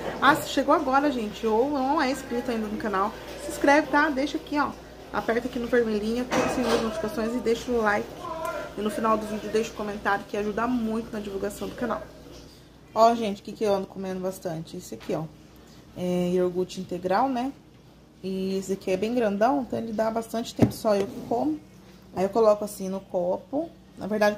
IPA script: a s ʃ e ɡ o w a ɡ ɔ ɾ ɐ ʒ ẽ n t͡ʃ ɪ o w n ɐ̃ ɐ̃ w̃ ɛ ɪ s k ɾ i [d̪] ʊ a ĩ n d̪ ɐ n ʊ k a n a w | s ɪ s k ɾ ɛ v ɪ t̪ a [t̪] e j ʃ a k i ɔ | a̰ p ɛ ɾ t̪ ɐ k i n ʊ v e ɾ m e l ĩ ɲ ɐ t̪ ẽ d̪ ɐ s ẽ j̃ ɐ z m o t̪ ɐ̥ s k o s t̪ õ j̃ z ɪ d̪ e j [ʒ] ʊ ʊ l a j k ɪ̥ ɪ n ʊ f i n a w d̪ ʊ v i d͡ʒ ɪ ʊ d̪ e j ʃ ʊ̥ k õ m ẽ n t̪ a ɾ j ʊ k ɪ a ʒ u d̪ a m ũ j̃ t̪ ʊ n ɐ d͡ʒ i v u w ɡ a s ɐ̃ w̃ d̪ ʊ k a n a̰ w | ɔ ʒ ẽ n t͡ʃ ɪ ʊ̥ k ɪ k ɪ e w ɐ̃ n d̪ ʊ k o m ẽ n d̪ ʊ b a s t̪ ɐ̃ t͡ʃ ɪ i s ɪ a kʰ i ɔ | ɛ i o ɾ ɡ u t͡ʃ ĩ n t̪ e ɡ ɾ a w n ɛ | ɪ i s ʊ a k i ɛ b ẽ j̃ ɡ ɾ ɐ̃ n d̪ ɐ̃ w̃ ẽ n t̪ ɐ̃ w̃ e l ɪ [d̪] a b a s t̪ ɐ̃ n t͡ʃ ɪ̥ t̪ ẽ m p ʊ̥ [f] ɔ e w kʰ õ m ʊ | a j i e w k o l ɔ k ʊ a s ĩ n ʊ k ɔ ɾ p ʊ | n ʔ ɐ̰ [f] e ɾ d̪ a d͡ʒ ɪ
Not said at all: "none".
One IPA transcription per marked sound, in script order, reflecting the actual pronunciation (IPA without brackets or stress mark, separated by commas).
t̪, d̪, ʃ, d̪, s, v